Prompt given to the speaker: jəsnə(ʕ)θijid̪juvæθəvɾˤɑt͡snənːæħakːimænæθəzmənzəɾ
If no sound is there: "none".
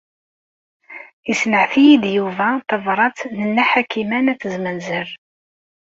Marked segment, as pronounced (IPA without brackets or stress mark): ʕ